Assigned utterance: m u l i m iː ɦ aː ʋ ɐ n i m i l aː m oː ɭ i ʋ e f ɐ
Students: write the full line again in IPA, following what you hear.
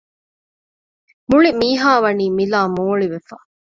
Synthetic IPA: m u ɭ i m iː ɦ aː ʋ ɐ n iː m i l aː m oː ɭ i ʋ e f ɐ